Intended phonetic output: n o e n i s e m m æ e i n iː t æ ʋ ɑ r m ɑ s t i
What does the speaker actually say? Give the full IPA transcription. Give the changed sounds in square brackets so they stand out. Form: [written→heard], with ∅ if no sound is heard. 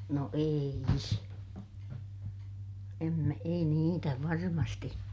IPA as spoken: n o e [n→∅] i s e m m æ e i n iː t æ ʋ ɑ r m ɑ s t i